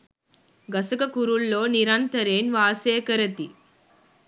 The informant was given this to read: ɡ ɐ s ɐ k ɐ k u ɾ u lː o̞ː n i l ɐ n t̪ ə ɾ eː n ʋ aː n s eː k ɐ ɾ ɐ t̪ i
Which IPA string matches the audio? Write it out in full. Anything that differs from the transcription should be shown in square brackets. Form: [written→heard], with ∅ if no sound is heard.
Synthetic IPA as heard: ɡ ɐ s ɐ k ɐ k u ɾ u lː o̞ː n i [l→ɾ] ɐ n t̪ [ə→ɐ] ɾ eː n ʋ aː [n→∅] s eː k ɐ ɾ ɐ t̪ i